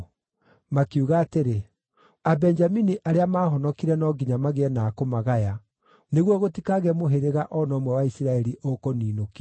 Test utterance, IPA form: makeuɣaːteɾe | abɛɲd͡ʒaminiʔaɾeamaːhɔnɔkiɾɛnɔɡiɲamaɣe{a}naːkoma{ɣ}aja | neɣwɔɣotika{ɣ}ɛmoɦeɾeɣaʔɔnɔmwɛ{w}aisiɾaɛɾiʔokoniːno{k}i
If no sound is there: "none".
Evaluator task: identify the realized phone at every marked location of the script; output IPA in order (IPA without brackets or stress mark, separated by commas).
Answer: ɛ, ɣ, ɣ, w, k